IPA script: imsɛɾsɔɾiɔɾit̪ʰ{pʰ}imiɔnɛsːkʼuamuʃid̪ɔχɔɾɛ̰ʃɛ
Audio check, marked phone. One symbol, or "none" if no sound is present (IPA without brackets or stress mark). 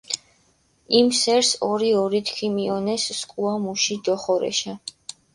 kʰ